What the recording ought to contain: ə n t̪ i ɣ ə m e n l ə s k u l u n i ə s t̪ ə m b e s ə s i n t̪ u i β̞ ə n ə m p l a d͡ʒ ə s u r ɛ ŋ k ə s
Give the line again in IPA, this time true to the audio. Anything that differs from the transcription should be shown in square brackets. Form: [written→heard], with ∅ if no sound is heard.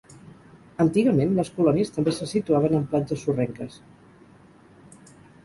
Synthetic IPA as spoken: ə n t̪ i ɣ ə m e n l ə s k u l [u→ɔ] n i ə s t̪ ə m b e s ə s i [n→∅] t̪ u [i→a] β̞ ə n ə m p l a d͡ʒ ə s u r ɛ ŋ k ə s